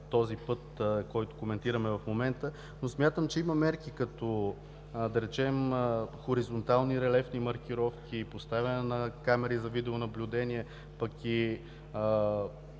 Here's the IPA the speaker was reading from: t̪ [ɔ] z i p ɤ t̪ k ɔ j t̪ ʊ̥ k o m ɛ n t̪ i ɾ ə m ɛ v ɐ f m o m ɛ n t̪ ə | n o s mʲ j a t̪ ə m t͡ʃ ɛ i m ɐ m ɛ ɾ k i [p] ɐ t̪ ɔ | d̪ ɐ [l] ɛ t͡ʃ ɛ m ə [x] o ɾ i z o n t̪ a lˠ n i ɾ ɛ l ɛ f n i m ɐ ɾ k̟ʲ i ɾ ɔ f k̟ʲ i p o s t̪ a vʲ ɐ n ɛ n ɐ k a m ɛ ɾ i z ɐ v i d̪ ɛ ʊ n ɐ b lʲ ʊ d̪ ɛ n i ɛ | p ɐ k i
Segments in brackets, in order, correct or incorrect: correct, incorrect: k, incorrect: ɾ, correct

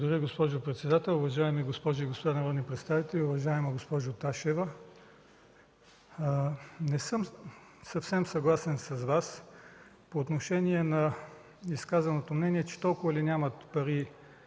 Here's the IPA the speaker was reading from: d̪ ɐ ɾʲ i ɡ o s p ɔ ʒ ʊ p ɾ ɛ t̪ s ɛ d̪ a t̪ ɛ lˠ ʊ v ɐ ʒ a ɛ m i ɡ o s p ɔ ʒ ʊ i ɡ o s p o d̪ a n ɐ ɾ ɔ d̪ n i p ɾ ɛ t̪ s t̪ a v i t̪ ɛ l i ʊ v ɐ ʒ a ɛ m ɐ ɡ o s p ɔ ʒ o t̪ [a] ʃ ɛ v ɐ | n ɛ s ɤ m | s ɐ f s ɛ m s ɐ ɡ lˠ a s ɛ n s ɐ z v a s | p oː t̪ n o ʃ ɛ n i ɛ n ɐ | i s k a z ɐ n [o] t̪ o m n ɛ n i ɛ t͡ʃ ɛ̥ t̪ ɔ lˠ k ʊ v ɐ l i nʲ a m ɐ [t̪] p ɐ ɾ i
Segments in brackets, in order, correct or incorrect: correct, correct, correct

